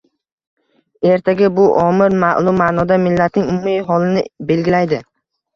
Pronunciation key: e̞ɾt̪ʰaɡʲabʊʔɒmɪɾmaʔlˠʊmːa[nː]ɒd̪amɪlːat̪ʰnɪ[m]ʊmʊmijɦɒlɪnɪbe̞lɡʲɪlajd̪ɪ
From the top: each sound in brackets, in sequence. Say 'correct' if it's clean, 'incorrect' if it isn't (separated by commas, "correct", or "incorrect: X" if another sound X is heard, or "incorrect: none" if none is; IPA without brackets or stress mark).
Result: incorrect: n, incorrect: ŋ